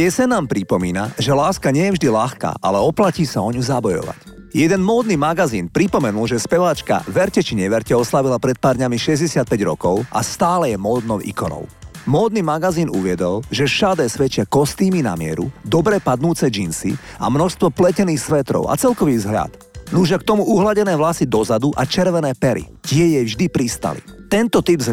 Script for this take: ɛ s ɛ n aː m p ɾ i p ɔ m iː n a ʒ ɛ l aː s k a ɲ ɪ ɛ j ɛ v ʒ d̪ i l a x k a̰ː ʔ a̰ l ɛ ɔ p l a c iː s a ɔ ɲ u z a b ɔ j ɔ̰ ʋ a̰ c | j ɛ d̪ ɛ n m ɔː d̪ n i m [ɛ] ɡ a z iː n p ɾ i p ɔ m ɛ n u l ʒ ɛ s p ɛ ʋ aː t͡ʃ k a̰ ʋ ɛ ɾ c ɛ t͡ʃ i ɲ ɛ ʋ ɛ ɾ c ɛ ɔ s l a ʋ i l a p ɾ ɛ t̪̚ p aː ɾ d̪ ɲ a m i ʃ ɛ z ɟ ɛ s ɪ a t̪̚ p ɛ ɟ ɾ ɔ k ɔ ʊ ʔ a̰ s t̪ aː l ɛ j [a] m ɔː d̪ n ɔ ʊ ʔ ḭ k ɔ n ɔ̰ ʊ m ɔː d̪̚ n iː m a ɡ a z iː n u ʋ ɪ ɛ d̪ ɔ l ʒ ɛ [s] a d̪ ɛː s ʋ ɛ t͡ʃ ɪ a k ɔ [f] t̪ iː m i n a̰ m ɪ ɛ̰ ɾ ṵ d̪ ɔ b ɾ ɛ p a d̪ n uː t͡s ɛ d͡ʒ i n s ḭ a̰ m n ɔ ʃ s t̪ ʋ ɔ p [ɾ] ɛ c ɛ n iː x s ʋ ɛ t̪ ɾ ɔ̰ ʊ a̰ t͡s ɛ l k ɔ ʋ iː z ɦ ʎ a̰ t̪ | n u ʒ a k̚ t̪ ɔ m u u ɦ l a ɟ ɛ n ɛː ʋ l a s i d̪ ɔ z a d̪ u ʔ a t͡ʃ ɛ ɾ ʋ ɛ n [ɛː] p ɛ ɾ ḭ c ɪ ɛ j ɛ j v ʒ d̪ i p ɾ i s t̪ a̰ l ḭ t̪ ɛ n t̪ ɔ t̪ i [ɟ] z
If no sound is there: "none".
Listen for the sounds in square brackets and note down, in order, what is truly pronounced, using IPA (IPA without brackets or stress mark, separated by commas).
a, ɛ, ʃ, s, l, ɛː, b